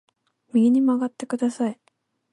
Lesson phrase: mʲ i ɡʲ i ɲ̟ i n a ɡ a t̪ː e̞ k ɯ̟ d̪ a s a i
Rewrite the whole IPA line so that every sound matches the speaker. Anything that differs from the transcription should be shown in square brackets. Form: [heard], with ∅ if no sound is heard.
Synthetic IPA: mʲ i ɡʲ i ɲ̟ i [m] a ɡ a t̪ː e̞ k ɯ̟ d̪ a s a i